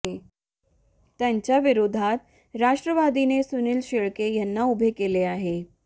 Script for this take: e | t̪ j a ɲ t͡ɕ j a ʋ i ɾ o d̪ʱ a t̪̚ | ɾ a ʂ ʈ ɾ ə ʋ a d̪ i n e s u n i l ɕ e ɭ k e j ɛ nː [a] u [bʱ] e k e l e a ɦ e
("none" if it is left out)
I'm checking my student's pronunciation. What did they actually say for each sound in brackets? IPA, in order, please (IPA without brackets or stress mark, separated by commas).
a, bʱ